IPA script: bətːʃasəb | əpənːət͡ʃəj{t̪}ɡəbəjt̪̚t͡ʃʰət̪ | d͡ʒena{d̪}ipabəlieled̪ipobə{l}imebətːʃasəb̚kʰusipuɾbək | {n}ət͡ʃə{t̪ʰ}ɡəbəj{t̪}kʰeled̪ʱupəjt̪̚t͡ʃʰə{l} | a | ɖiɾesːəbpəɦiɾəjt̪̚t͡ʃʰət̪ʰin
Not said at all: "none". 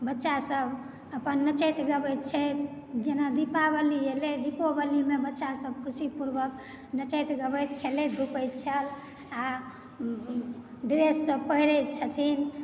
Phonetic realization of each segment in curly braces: t̪, d̪, l, n, t̪, t̪, l

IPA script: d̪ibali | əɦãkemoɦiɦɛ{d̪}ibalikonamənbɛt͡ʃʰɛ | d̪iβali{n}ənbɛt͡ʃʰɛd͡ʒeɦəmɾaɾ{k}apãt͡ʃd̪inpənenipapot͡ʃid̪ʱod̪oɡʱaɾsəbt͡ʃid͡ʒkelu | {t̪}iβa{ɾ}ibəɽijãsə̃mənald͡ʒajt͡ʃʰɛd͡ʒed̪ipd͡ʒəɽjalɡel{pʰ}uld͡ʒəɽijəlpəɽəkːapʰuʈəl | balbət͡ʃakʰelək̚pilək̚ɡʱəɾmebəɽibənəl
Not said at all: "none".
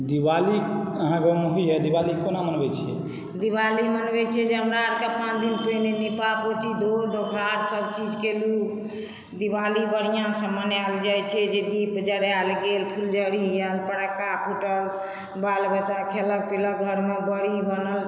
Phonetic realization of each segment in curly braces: d̪, m, k, d̪, l, pʰ

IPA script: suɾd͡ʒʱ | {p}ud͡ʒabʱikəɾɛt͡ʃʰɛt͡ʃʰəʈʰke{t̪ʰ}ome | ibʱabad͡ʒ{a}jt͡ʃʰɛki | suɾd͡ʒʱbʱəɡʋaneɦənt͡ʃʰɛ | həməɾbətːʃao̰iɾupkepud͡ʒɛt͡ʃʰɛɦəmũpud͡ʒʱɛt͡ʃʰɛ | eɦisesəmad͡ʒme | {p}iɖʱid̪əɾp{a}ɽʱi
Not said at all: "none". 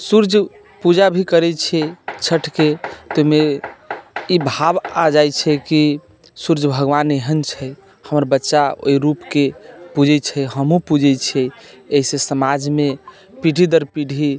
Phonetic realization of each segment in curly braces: p, t̪, a, p, i

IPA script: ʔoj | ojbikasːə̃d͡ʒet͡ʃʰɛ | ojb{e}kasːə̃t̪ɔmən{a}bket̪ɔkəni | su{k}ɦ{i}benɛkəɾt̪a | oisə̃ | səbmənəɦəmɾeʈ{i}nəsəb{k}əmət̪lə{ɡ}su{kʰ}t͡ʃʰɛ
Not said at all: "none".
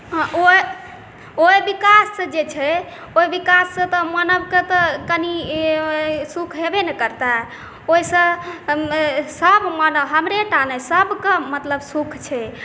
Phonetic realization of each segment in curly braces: i, ə, kʰ, e, a, k, b, kʰ

